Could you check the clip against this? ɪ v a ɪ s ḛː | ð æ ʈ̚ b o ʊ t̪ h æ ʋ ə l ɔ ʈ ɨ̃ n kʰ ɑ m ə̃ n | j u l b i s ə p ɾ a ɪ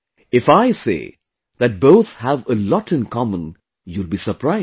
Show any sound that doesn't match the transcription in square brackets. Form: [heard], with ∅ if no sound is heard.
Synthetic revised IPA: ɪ [f] a ɪ s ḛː | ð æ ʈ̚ b o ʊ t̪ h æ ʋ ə l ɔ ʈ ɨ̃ n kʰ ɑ m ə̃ n | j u l b i s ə p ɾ a ɪ